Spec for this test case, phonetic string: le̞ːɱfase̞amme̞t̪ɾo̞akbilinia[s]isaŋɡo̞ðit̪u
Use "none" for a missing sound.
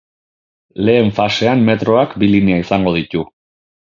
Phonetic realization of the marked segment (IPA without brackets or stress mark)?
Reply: none